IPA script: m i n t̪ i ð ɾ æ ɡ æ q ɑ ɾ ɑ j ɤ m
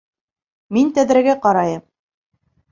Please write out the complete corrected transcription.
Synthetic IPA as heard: m i n t̪ æ ð ɾ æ ɡ æ q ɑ ɾ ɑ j ɤ m